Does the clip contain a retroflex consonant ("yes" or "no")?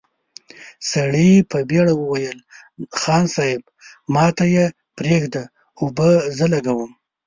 yes